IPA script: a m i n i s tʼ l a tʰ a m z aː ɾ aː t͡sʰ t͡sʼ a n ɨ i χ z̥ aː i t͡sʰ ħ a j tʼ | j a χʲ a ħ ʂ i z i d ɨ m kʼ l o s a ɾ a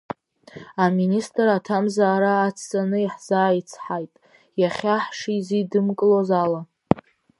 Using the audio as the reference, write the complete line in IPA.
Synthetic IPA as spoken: a m i n i s tʼ r a tʰ a m z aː ɾ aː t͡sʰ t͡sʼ a n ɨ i ħ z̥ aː i t͡sʰ ħ a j tʼ | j a χʲ a ħ ʂ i z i d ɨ m kʼ l o z a l a